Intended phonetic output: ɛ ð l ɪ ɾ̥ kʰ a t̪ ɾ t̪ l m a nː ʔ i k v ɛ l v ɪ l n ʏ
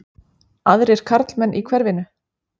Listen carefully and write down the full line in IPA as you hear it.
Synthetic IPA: a ð ɾ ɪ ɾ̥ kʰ a ɾ t̪ l m ɛ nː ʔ i kʰ v ɛ ɾ v ɪ n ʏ